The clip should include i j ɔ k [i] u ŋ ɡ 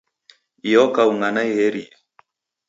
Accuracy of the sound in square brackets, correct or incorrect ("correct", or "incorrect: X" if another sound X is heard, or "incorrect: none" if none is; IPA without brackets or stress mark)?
incorrect: a